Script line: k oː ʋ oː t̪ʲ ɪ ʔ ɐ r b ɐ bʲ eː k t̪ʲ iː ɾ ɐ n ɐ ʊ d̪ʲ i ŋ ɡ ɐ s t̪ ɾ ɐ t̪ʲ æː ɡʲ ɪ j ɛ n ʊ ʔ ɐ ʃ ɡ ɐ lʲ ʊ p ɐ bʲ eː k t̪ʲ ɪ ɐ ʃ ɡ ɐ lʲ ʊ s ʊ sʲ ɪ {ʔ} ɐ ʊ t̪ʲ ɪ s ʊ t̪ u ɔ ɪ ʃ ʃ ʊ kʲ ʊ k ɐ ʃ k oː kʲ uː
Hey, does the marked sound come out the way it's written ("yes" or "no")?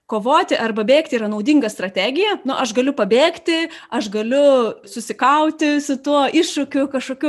no